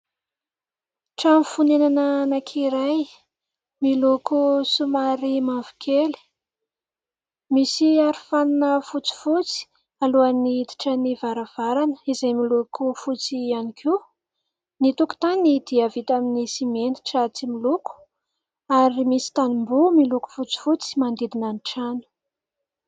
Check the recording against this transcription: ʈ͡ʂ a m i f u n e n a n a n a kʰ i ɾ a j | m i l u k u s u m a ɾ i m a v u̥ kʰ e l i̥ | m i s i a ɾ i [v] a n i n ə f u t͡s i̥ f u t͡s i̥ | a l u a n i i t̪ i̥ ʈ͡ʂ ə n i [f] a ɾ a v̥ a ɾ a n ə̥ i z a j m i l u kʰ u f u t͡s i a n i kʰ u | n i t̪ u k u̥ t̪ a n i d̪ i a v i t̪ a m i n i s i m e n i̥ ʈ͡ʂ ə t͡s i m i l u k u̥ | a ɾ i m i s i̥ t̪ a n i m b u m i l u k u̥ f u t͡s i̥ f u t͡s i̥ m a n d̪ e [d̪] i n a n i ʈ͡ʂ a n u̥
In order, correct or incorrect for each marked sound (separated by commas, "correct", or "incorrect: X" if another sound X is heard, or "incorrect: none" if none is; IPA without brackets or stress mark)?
incorrect: f, incorrect: v, correct